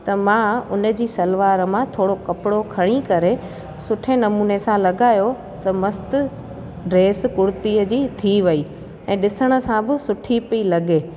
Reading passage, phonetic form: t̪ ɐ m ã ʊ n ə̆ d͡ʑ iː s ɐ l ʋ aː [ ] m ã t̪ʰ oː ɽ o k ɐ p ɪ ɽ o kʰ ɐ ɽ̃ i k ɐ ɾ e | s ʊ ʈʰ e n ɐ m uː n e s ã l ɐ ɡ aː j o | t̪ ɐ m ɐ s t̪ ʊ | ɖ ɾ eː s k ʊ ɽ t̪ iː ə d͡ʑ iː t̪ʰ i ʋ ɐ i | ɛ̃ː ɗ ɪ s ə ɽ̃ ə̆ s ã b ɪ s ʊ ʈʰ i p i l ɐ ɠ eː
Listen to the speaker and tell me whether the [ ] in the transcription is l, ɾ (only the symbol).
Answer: ɾ